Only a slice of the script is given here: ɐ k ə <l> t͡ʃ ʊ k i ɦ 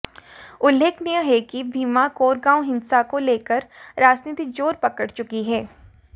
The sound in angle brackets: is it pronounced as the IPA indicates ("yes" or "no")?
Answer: no